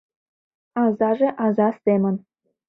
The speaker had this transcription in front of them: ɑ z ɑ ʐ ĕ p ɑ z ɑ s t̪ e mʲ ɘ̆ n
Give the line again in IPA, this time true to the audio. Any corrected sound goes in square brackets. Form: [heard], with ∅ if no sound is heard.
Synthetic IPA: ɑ z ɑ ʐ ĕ [ʔ] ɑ z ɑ s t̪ e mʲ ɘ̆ n